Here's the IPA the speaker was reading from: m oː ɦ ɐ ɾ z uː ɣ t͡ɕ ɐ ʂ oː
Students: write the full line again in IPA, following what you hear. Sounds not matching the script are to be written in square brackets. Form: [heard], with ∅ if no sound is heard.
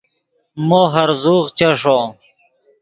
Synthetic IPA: m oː ɦ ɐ ɾ z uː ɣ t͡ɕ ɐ ʂ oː